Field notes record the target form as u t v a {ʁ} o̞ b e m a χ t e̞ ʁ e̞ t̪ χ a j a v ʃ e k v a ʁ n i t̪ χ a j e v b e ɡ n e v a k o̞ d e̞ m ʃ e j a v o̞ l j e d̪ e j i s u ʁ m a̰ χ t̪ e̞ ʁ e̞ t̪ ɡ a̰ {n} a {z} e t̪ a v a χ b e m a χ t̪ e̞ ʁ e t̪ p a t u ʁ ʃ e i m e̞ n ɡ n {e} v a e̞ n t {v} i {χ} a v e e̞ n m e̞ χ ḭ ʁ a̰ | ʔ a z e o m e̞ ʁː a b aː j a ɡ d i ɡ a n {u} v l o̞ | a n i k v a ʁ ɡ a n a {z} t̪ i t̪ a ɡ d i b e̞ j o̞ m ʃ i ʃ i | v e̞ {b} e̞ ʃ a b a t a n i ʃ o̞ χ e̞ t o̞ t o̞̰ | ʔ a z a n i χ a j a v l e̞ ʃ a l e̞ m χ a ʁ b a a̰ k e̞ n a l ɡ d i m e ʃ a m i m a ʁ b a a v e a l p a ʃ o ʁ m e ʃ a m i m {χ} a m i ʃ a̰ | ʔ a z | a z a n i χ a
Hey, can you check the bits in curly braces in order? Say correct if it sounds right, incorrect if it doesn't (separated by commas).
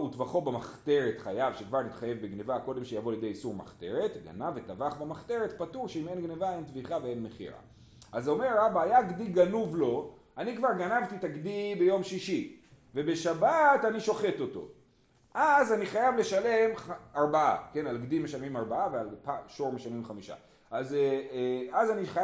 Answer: incorrect, correct, incorrect, correct, correct, correct, correct, incorrect, correct, correct